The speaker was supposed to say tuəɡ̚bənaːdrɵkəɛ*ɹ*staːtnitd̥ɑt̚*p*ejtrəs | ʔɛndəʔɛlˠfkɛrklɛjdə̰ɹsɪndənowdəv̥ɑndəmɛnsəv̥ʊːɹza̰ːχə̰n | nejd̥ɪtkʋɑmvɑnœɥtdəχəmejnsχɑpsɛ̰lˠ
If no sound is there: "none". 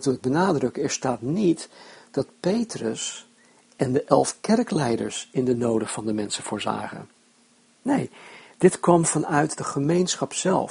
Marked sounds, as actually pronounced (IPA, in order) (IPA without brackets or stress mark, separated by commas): ɹ, p